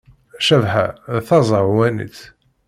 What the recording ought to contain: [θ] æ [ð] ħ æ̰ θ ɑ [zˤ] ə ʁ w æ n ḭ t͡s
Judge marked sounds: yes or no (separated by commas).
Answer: no, no, yes